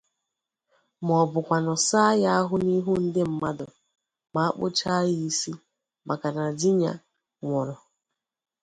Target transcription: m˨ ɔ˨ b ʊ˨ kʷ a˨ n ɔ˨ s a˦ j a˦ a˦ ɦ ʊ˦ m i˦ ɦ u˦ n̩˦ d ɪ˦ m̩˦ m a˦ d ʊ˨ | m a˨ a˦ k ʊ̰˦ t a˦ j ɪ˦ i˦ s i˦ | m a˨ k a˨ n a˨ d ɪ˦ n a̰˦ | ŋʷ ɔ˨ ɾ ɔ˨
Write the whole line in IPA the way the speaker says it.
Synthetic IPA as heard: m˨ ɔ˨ b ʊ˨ kʷ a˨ n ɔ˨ s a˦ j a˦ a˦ ɦ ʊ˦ n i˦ ɦ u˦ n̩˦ d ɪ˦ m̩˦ m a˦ d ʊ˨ | m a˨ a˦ k͡p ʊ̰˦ t͡ʃ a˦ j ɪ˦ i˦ s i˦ | m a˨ k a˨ n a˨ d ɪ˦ ɲ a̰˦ | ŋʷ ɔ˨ ɾ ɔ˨